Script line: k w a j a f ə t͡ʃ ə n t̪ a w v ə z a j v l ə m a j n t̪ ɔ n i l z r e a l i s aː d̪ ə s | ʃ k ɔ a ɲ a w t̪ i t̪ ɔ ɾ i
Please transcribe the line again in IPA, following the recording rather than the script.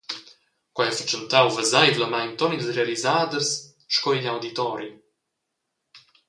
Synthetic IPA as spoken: k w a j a f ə t͡ʃ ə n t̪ a w v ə z a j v l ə m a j n t̪ ɔ n i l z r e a l i z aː d̪ ə s | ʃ k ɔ i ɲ a w d̪ i t̪ ɔ ɾ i